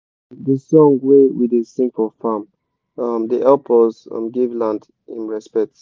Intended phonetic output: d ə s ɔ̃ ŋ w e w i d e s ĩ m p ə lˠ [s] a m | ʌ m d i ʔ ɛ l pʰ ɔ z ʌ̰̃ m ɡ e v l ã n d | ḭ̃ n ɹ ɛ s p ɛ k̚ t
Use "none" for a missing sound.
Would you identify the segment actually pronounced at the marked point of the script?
f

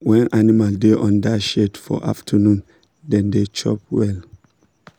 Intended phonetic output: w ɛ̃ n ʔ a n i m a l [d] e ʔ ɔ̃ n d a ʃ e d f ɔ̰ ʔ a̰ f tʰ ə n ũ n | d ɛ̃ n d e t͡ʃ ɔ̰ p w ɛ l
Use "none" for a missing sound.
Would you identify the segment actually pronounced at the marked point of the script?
d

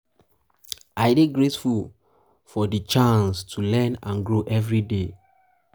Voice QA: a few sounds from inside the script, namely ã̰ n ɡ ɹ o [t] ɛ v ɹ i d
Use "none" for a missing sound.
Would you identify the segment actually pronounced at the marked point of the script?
ʔ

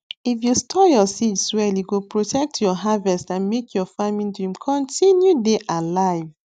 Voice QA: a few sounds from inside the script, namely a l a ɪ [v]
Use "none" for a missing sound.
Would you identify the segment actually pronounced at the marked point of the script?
v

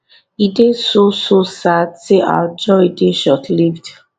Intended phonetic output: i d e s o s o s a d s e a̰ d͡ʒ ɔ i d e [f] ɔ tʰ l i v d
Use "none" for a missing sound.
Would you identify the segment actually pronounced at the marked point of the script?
ʃ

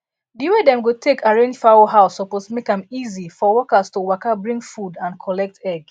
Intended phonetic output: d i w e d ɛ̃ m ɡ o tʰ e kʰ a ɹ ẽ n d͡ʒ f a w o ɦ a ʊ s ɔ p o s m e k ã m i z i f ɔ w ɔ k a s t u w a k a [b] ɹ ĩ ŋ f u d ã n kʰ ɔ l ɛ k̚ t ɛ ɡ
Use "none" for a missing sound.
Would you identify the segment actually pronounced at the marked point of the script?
b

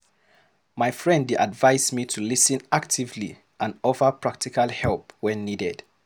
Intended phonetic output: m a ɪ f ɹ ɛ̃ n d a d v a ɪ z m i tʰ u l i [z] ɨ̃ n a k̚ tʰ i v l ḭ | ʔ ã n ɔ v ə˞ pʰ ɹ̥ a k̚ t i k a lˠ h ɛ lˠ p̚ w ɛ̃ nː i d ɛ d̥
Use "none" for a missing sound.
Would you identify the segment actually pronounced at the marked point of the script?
s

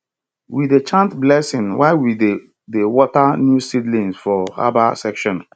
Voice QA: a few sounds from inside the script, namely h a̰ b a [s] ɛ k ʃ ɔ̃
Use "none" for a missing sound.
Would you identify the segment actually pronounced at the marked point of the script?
s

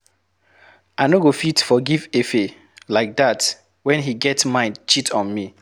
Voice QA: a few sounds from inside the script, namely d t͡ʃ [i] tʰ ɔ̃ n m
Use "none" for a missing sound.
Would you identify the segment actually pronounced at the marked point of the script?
i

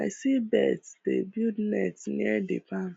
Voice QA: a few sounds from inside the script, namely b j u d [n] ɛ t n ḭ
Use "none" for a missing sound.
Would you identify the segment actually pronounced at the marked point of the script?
n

